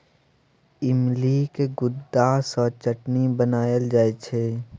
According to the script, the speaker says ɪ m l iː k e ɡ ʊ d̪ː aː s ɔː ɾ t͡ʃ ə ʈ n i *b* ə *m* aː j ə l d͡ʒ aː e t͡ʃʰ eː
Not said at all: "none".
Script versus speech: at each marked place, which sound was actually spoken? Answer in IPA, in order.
b, n

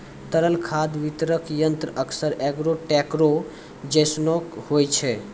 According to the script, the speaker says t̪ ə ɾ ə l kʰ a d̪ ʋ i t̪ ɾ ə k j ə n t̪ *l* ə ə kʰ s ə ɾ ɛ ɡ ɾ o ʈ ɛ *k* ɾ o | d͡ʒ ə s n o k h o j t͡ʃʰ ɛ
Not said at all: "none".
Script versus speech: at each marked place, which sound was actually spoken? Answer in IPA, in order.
ɾ, k

